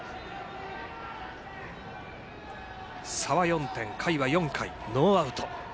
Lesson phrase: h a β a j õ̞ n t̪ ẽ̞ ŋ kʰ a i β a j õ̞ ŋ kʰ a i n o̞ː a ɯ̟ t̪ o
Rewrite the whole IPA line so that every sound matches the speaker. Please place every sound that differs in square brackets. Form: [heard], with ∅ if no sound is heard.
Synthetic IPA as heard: [s] a β a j õ̞ n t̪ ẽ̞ ŋ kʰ a i β a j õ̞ ŋ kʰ a i n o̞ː a ɯ̟ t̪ o